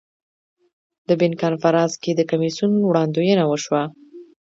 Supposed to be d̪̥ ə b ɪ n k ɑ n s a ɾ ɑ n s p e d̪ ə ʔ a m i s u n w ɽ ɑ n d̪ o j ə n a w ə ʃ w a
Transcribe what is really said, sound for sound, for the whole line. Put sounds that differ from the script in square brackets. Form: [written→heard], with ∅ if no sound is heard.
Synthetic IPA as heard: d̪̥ ə b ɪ n k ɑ n [s→f] a ɾ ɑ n s [p→k] e d̪ ə [ʔ→k] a m i s u n w ɽ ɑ n d̪ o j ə n a w ə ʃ w a